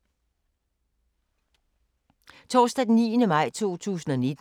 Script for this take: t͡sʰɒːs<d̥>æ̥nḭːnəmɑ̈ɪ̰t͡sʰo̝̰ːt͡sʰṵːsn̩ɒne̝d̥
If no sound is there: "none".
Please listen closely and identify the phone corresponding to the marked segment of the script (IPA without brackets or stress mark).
d̥